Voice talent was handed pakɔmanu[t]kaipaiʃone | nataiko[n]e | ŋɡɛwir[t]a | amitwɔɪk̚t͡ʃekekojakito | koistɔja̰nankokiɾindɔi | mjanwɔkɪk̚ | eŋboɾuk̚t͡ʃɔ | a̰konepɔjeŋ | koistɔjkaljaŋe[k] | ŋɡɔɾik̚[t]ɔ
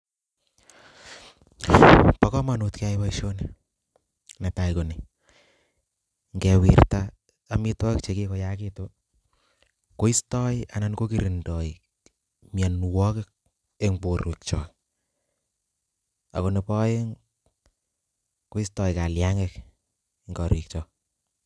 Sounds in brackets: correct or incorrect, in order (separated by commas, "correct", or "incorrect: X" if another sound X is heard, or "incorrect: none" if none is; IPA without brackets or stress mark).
correct, correct, correct, correct, incorrect: t͡ʃ